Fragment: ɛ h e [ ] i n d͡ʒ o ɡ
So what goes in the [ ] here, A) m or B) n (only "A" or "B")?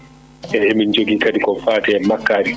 A